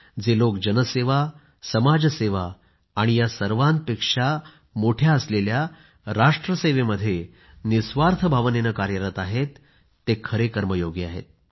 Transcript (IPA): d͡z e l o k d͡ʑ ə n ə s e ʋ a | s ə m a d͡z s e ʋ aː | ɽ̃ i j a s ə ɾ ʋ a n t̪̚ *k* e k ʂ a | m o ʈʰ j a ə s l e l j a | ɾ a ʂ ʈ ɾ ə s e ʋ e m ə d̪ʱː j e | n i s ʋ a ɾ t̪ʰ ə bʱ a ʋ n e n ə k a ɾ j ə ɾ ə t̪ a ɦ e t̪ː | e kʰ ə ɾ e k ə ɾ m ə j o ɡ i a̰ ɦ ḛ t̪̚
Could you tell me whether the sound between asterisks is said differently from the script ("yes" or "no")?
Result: yes